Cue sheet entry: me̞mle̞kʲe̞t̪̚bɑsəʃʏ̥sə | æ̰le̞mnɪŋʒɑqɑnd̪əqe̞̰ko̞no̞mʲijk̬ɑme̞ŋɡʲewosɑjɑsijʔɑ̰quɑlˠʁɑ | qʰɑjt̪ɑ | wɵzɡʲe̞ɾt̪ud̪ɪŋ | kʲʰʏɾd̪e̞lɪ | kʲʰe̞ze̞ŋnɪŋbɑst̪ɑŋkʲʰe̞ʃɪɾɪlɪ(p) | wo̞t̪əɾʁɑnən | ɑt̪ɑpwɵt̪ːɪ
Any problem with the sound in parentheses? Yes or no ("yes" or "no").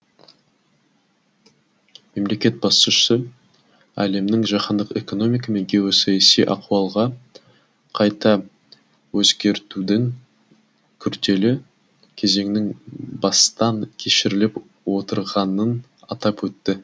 no